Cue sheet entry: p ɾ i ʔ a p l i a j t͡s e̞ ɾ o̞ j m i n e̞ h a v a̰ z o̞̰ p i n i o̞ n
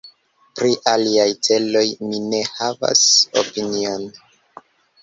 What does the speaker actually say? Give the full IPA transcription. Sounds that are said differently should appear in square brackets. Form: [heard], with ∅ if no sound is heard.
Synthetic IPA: p ɾ i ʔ a [∅] l i a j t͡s e̞ [l] o̞ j m i n e̞ h a v a̰ [s] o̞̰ p i n i o̞ n